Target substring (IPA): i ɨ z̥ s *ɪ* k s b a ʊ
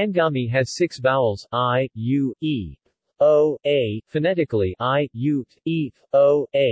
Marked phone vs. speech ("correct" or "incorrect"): correct